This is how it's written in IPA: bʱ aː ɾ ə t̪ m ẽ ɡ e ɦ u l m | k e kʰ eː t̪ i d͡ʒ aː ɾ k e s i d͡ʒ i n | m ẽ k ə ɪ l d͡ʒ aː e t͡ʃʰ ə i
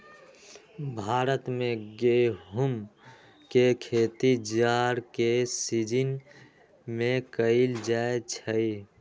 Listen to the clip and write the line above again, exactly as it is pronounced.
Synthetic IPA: bʱ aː ɾ ə t̪ m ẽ ɡ e ɦ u m | k e kʰ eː t̪ i d͡ʒ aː ɾ k e s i d͡ʒ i n | m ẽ k ə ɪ l d͡ʒ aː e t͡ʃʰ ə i